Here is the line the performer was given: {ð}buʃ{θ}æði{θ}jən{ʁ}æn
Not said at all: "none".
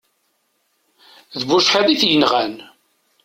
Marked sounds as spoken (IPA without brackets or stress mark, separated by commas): ð, ħ, θ, ʁ